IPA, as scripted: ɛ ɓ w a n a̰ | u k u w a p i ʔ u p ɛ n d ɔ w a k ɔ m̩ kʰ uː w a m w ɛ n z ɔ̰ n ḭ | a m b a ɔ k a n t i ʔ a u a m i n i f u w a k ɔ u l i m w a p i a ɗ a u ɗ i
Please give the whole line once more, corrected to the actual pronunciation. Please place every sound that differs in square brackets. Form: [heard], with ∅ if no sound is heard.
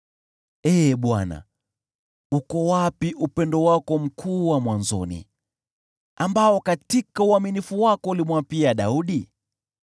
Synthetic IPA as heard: ɛ ɓ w a n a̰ | u k [ɔ] w a p i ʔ u p ɛ n d ɔ w a k ɔ m̩ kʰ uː w a m w [a] n z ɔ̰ n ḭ | a m b a ɔ k a [∅] t i [k] a u a m i n i f u w a k ɔ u l i m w a p i a ɗ a u ɗ i